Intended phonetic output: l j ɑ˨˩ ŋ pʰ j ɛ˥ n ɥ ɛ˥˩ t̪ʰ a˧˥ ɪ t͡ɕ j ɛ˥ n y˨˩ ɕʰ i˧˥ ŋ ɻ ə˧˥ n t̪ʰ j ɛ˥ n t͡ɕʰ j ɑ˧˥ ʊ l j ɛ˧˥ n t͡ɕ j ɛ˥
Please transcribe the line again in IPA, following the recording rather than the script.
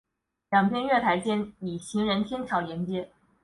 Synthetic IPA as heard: l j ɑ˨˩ ŋ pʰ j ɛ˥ n ɥ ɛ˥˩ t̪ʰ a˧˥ ɪ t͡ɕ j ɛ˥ n i˨˩ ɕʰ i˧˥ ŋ ɻ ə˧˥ n t̪ʰ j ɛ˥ n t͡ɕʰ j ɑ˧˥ ʊ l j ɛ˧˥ n t͡ɕ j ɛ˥

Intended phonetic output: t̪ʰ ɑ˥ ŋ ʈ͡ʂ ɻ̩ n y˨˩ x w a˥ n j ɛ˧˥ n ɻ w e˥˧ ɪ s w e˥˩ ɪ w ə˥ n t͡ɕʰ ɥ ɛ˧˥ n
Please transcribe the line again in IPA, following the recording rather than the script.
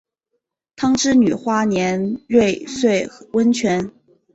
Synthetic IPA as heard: t̪ʰ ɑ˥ ŋ ʈ͡ʂ ɻ̩ n y˨˩ x w a˥ n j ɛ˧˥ n ɻ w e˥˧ ɪ s w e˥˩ ɪ w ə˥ n t͡ɕʰ ɥ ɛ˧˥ n

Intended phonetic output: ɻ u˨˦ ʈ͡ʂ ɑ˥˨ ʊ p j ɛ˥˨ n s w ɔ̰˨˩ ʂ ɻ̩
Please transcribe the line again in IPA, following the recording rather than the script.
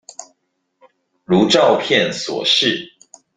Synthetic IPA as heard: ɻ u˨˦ ʈ͡ʂ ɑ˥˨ ʊ pʰ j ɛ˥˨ n s w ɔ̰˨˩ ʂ ɻ̩

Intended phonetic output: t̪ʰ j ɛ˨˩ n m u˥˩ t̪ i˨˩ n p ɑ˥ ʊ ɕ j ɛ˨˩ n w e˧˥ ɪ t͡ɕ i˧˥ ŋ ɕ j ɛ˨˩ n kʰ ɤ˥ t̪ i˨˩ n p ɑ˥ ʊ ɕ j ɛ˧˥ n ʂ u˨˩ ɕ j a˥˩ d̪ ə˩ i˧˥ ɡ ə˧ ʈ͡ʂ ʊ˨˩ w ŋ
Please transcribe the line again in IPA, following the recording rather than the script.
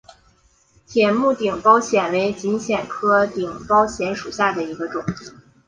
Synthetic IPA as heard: t̪ʰ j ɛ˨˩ n m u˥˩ t̪ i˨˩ ŋ p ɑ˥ ʊ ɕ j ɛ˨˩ n w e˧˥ ɪ t͡ɕ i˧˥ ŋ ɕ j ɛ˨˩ n kʰ ɤ˥ t̪ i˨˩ ŋ p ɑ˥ ʊ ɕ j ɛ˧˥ n ʂ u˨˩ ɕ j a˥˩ d̪ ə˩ i˧˥ ɡ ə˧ ʈ͡ʂ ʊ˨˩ ŋ

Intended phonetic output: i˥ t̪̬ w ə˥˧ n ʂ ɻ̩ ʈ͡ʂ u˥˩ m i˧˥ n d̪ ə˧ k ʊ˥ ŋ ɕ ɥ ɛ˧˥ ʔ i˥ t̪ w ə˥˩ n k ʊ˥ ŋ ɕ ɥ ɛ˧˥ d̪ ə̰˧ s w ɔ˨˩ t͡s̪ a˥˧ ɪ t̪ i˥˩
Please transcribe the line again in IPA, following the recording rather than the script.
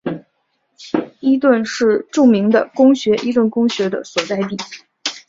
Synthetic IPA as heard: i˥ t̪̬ w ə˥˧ n ʂ ɻ̩ ʈ͡ʂ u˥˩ m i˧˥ ŋ d̪ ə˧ k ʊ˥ ŋ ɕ ɥ ɛ˧˥ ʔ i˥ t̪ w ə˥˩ n k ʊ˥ ŋ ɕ ɥ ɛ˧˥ d̪ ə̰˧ s w ɔ˨˩ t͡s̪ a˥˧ ɪ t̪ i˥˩

